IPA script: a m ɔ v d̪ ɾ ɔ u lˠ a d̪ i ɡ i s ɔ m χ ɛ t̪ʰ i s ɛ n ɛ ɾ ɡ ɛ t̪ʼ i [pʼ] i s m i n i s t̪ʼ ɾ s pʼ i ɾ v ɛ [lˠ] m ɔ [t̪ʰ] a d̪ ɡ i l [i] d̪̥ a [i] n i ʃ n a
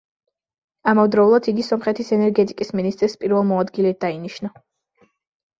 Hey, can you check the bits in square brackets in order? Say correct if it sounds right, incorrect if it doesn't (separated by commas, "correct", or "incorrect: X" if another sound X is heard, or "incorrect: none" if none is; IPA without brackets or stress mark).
incorrect: kʼ, correct, incorrect: none, incorrect: ɛ, correct